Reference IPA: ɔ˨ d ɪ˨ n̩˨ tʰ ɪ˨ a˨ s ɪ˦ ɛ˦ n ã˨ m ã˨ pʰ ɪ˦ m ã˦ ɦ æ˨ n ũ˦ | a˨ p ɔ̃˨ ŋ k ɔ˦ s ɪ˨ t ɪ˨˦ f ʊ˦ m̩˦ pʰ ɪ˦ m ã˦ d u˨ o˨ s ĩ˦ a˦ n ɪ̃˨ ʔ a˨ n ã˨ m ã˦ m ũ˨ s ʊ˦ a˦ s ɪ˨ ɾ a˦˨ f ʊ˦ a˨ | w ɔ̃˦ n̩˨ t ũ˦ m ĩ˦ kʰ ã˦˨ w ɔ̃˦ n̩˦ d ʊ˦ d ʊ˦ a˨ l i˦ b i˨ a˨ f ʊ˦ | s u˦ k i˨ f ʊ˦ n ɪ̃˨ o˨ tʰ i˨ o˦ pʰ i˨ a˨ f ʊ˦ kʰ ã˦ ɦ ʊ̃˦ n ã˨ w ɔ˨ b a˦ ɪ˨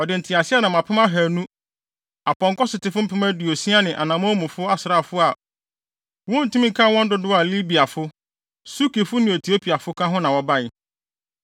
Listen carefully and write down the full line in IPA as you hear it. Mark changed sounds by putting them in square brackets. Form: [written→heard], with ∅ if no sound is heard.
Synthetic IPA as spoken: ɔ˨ d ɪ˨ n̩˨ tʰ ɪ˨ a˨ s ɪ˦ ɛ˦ n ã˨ m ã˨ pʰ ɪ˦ m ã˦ ɦ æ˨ n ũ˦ | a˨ p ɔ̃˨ ŋ k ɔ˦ s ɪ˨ t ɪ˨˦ f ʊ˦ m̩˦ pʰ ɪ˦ m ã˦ d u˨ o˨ s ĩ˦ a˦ n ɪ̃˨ ʔ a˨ n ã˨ m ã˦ m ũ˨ [s→f] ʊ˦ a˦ s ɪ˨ ɾ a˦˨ f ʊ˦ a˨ | w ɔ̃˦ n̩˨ t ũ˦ m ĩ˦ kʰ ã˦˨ w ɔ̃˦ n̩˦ d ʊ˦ d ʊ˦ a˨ l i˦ b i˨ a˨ f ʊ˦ | s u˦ k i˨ f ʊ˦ n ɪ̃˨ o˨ tʰ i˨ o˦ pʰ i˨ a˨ f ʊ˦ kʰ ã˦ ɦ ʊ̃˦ n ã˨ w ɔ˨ b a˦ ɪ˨

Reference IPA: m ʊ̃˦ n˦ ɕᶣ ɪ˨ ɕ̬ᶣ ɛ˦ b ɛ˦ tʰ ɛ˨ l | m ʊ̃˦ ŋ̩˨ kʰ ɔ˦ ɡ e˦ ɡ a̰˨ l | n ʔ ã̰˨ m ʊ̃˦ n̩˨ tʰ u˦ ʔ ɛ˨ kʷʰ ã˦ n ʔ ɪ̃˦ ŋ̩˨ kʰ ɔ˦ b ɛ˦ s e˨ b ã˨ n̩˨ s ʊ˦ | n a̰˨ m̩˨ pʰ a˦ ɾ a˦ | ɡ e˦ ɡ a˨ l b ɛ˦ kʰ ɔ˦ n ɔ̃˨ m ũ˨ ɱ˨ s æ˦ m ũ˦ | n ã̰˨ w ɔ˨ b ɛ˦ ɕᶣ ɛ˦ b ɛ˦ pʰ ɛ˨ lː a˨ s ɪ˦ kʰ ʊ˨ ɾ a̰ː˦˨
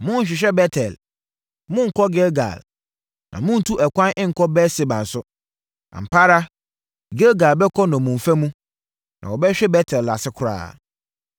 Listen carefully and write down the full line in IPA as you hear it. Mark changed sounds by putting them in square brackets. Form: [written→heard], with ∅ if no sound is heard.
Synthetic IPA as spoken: m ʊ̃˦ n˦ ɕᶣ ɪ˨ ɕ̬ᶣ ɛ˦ b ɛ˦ tʰ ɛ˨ l | m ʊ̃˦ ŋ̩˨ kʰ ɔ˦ ɡ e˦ ɡ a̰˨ l | n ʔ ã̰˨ m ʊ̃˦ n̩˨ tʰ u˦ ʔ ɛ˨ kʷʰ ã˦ n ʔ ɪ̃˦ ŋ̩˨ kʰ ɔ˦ b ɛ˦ s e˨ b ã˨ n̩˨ s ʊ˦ | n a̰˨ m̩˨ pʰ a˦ ɾ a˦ | ɡ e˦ ɡ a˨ l b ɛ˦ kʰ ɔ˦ n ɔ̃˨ m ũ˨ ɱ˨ [s→f] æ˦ m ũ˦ | n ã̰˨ w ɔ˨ b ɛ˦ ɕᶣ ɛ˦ b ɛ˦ [pʰ→tʰ] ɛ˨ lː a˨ s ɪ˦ kʰ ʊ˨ ɾ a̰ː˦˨

